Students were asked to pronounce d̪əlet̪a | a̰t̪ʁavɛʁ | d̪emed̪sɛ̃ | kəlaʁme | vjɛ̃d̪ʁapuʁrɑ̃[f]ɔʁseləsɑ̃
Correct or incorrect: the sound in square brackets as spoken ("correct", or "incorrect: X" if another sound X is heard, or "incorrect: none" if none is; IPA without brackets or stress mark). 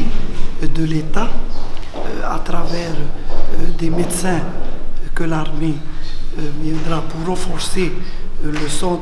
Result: correct